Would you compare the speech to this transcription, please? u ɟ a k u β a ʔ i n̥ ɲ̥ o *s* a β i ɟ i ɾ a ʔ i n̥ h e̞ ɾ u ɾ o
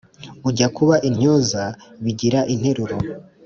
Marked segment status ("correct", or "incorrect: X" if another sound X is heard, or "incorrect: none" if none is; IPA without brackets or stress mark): incorrect: z